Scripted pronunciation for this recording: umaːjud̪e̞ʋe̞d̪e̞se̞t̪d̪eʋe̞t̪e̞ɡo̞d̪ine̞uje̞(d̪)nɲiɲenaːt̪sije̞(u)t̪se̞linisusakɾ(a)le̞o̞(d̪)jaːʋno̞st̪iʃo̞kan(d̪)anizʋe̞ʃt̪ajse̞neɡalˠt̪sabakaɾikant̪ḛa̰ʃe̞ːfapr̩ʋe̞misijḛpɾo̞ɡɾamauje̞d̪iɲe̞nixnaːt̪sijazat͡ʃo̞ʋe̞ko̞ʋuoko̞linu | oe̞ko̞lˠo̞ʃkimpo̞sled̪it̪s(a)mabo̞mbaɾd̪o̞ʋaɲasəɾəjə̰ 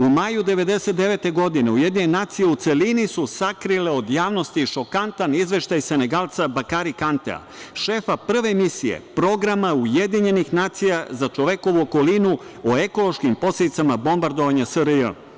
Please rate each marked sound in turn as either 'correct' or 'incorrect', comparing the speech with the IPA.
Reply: correct, correct, incorrect: i, correct, incorrect: t̪, correct

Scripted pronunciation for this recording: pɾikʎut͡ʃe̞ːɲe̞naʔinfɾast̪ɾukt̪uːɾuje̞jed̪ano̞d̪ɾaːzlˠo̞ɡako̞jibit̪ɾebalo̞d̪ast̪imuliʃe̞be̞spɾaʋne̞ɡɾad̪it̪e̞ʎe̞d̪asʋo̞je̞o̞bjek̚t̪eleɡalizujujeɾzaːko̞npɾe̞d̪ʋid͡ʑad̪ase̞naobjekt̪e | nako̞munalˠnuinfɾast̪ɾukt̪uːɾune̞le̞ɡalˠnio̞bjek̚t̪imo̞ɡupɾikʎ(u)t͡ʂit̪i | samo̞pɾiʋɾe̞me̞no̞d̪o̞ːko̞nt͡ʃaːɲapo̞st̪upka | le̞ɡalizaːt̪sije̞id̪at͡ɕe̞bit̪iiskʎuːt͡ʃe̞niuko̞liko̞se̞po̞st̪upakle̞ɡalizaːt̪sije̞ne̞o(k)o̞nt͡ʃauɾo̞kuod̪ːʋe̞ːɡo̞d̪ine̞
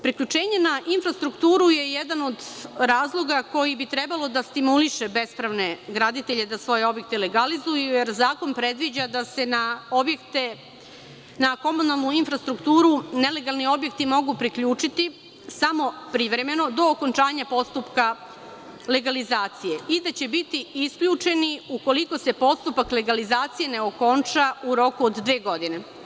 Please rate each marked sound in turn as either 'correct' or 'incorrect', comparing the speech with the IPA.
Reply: incorrect: uː, correct

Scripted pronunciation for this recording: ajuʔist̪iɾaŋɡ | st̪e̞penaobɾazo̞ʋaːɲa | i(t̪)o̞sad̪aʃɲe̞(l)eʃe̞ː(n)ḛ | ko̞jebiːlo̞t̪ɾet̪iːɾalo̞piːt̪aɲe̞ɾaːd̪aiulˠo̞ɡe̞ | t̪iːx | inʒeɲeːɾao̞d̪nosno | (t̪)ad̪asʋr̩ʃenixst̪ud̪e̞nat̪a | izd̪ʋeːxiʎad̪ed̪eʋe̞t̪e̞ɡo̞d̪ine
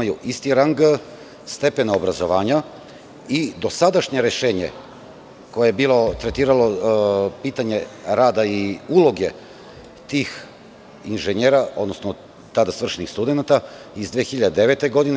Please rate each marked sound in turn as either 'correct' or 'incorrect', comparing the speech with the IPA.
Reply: incorrect: d̪, incorrect: ɾ, incorrect: ɲ, correct

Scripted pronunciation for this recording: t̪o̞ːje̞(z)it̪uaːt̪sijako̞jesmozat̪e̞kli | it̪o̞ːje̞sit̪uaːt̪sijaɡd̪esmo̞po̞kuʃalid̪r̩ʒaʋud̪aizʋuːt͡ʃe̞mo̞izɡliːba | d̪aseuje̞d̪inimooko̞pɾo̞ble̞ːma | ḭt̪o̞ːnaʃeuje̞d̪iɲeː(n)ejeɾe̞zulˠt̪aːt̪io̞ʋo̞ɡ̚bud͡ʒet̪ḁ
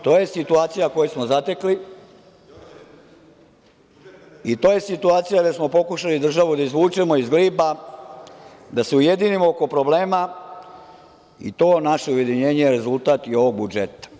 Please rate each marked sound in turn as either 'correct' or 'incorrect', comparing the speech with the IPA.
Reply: incorrect: s, incorrect: ɲ

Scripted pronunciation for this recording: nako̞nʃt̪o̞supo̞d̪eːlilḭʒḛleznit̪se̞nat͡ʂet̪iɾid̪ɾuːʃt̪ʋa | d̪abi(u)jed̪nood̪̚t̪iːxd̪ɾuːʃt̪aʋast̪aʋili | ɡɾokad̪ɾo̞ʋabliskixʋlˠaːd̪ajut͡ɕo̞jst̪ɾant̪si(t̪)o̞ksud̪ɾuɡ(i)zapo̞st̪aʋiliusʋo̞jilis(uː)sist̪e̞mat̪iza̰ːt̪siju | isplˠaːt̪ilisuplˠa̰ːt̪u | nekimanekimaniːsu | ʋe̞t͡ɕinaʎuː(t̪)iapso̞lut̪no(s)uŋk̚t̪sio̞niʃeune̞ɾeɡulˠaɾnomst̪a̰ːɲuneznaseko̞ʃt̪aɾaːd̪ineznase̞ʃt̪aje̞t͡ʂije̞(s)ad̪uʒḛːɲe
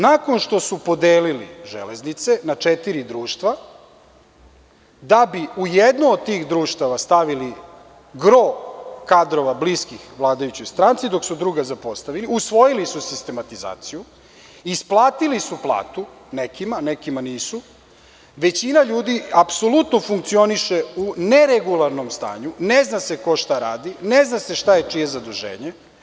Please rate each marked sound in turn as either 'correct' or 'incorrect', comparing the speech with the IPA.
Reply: correct, incorrect: d̪, incorrect: a, incorrect: u, incorrect: d̪, incorrect: f, incorrect: z

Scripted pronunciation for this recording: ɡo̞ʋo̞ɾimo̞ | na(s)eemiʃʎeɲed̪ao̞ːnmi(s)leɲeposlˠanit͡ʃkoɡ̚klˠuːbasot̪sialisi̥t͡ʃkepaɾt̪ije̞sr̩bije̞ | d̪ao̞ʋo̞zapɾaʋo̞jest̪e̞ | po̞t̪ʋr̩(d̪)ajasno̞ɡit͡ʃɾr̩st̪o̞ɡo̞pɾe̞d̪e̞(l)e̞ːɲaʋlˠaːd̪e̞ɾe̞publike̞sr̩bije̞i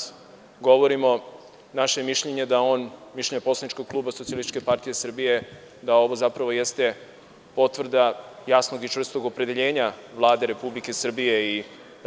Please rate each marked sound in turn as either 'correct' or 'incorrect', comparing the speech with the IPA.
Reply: incorrect: ʃ, incorrect: ʃ, correct, incorrect: ʎ

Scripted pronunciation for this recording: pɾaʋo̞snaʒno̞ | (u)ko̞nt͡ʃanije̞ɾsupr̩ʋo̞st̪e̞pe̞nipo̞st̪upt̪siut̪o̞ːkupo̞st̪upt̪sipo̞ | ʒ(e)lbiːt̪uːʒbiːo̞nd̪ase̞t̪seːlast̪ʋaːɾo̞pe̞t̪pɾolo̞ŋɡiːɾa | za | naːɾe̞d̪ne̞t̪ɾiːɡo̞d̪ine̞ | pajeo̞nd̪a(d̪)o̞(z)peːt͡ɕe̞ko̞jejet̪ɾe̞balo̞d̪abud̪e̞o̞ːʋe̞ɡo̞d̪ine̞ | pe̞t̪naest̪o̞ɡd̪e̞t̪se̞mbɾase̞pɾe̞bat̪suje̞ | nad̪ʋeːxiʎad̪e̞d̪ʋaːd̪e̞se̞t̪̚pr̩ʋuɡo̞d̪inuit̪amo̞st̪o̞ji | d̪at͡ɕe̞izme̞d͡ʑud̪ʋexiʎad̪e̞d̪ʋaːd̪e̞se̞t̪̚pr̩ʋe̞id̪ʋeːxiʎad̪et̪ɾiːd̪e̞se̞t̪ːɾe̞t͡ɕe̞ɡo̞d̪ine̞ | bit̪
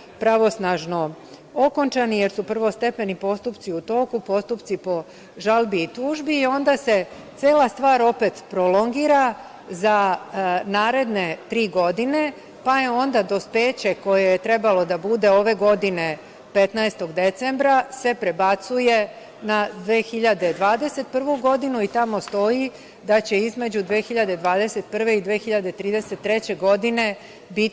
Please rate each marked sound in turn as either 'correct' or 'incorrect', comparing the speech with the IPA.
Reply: incorrect: o, incorrect: a, correct, incorrect: s

